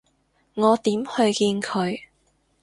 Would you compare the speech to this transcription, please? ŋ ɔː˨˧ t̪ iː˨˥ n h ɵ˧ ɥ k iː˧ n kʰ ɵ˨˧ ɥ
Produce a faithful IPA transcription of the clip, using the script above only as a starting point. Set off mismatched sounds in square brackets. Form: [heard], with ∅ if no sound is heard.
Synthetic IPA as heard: ŋ ɔː˨˧ t̪ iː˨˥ [m] h ɵ˧ ɥ k iː˧ n kʰ ɵ˨˧ ɥ